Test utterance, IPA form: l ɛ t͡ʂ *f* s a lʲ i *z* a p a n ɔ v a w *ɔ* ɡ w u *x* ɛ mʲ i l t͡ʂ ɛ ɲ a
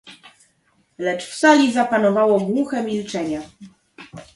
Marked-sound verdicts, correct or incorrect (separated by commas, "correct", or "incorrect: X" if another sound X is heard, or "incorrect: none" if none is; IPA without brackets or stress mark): correct, correct, correct, correct